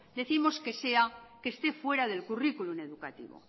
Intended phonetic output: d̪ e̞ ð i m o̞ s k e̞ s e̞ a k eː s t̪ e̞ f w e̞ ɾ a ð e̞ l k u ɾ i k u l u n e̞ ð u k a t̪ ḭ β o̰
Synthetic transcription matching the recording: d̪ e̞ θ i m o̞ s k e̞ s e̞ a k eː s t̪ e̞ f w e̞ ɾ a ð e̞ l k u r i k u l u n e̞ ð u k a t̪ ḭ β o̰